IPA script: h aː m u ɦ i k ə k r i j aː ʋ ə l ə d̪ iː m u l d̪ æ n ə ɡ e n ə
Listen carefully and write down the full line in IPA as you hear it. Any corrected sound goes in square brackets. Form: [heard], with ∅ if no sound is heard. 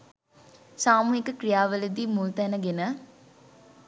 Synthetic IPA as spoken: [s] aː m u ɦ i k ə k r i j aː ʋ ə l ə d̪ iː m u l [t̪] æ n ə ɡ e n ə

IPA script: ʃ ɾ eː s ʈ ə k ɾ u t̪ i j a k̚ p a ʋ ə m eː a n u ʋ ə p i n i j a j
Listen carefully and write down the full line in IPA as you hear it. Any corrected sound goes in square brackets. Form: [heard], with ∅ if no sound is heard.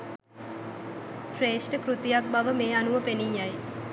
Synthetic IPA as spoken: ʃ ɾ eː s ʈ ə k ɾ u t̪ i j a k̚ [b] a ʋ ə m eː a n u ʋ ə p [e] n i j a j

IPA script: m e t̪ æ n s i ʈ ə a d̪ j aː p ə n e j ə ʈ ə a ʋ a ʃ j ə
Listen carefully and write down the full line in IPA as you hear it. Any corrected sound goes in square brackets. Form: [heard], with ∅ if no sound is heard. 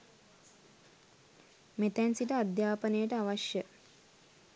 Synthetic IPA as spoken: m e t̪ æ n s i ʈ ə a d̪ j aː p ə n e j ə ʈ ə a ʋ a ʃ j ə

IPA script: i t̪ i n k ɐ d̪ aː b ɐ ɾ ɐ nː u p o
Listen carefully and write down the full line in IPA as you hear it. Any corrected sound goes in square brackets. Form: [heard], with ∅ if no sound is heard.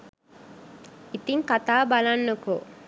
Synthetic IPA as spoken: i t̪ i [ŋ] k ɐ [t̪] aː b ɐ [l] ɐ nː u [k] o

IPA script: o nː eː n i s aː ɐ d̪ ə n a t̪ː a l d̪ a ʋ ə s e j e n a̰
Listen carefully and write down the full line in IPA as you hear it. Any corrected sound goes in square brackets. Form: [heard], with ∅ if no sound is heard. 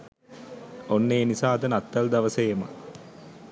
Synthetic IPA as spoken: o nː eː n i s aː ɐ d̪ ə n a t̪ː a l d̪ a ʋ ə s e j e [m] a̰

